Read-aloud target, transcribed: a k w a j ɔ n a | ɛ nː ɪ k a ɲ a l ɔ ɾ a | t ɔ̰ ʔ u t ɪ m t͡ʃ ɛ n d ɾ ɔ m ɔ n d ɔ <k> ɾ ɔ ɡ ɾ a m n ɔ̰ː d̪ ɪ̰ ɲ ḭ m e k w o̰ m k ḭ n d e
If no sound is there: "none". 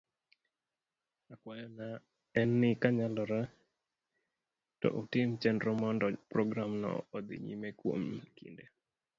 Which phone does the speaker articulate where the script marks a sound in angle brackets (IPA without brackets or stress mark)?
p